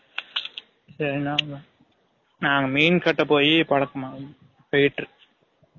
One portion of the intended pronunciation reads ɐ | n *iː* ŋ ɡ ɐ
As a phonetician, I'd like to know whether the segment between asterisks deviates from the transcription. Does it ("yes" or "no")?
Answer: yes